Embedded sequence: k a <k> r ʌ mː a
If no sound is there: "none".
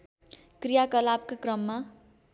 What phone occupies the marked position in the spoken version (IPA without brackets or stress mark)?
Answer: k